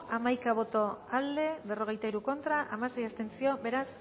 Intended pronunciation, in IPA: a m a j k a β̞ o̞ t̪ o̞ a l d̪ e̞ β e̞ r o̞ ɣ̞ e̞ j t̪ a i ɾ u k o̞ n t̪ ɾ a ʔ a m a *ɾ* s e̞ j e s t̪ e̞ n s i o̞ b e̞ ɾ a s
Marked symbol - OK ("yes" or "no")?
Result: no